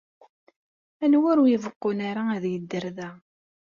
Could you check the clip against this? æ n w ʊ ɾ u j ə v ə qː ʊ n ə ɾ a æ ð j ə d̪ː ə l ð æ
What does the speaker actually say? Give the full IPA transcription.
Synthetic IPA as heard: æ n w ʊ ɾ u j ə v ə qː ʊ n a ɾ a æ ð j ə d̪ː ə ɾ ð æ